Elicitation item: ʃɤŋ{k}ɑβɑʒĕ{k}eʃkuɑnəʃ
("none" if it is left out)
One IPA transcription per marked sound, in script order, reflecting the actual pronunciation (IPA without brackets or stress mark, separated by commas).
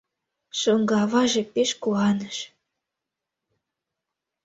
ɡ, p